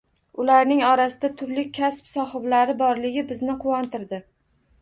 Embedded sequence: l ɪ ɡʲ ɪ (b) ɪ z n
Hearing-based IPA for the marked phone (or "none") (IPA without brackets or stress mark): b